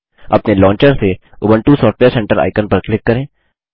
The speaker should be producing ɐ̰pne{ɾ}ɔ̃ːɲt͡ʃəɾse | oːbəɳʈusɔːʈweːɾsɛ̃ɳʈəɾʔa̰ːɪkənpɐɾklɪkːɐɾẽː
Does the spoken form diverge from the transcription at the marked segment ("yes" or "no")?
yes